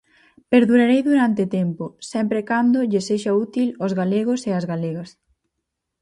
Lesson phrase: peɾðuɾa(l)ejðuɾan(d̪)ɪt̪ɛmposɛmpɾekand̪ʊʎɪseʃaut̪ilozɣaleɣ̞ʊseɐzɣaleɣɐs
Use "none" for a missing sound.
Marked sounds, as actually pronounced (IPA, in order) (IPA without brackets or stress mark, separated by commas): ɾ, t̪